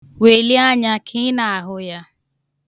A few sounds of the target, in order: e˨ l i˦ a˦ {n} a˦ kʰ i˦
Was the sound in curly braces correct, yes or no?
no